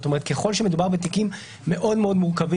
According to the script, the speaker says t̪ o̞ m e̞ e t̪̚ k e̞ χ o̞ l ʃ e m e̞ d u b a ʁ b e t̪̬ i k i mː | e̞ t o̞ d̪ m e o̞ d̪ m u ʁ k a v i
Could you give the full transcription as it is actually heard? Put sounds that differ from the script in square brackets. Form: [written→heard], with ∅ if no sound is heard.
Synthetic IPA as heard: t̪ o̞ m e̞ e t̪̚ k e̞ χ o̞ l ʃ e m e̞ d u b a ʁ b e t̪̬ i k i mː | e̞ [t→ʔ] o̞ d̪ m e o̞ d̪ m u ʁ k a v i